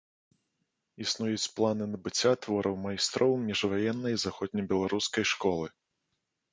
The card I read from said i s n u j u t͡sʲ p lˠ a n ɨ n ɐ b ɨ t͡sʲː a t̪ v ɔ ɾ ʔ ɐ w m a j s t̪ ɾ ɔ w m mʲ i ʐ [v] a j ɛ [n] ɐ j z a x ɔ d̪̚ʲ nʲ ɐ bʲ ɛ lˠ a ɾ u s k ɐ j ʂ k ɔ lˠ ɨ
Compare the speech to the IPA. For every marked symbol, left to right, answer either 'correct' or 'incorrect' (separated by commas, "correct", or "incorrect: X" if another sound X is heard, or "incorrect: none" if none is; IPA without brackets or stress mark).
correct, incorrect: nː